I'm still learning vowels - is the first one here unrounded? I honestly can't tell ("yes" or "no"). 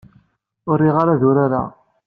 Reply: no